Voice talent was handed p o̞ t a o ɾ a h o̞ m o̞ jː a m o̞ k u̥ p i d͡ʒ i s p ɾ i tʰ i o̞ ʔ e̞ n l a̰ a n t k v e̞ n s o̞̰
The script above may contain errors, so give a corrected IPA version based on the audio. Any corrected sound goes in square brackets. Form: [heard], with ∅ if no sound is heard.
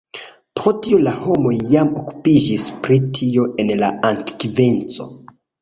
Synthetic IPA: p o̞ t [i] o [l] a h o̞ m o̞ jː a m o̞ k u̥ p i d͡ʒ i s p ɾ i tʰ i o̞ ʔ e̞ n l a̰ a n t k v e̞ n [t͡s] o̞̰